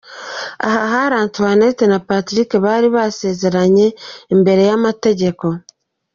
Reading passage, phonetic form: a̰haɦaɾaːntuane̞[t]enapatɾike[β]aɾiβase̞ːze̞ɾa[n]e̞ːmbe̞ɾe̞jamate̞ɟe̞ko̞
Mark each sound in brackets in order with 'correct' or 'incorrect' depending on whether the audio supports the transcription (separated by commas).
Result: correct, correct, incorrect